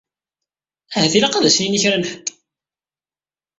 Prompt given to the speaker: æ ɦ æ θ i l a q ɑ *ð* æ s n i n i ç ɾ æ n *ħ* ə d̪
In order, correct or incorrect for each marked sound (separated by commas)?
correct, correct